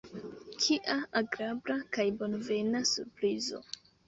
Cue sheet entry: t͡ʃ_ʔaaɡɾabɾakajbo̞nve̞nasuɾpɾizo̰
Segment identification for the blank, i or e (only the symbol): i